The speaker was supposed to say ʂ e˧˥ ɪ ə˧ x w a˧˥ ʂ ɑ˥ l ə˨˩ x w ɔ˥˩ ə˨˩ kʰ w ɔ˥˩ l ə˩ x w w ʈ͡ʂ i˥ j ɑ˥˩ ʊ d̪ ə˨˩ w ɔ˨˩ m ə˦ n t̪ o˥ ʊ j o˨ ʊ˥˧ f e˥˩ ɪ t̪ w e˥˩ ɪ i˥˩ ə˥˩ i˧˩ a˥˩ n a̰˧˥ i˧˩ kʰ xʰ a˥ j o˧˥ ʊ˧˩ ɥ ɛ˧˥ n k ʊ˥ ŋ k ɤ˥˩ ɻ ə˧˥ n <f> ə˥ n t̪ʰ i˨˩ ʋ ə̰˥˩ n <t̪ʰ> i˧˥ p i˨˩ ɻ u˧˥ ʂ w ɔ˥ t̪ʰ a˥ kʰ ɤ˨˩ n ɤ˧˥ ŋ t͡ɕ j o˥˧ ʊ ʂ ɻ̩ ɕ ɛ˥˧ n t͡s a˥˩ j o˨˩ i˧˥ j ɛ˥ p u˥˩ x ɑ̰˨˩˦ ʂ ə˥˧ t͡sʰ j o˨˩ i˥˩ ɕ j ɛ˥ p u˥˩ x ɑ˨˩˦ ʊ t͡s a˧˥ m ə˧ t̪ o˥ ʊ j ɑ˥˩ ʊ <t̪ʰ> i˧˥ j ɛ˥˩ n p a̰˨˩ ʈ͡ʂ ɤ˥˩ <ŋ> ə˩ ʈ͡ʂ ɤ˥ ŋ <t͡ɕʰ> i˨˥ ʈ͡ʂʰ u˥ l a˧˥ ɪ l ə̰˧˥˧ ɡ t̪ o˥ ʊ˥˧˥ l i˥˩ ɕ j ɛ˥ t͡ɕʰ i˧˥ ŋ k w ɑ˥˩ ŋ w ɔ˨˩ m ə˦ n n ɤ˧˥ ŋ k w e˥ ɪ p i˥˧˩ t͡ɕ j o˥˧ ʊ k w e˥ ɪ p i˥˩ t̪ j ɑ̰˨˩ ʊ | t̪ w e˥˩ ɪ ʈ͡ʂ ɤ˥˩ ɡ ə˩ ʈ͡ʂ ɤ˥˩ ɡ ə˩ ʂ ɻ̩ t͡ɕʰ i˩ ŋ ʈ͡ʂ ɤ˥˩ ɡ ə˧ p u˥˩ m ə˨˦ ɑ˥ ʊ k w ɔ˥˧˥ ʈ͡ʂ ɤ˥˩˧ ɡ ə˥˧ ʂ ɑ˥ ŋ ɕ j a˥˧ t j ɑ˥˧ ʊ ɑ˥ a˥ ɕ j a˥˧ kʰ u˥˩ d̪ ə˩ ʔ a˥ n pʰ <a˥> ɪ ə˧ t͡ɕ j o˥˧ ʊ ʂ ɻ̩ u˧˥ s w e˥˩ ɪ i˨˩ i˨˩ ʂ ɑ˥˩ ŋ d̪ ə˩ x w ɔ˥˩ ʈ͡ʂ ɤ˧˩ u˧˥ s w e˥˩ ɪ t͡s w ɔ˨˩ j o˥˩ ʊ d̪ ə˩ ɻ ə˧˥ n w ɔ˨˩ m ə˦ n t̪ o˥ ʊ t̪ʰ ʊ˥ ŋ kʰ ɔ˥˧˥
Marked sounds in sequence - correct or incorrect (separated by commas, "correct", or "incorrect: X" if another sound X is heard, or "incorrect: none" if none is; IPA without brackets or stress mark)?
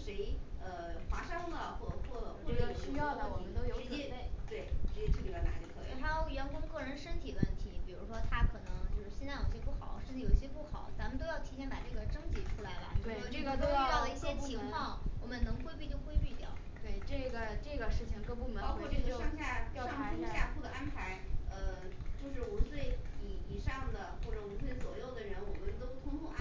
incorrect: ʂ, correct, correct, incorrect: ɡ, incorrect: t͡ɕ, incorrect: a˧˥